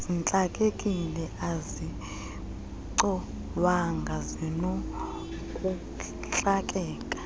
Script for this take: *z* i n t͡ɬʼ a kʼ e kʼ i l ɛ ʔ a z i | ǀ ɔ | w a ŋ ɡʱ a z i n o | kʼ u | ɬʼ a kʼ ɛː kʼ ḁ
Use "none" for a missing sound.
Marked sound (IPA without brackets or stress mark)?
z